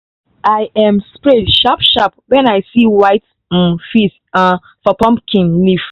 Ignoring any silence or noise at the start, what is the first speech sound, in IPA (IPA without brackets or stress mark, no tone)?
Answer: a